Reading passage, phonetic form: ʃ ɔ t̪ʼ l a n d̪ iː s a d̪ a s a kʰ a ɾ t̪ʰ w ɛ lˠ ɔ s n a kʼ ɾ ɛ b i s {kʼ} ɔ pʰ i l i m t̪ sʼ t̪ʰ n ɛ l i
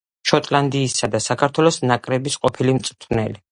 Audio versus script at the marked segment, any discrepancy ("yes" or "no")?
yes